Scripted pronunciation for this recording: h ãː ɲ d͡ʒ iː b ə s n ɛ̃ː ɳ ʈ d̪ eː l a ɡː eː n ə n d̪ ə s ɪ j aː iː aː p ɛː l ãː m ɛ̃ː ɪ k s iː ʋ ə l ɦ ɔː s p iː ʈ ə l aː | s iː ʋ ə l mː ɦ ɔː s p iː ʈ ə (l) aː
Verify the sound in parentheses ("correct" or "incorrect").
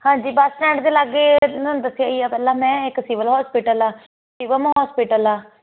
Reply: correct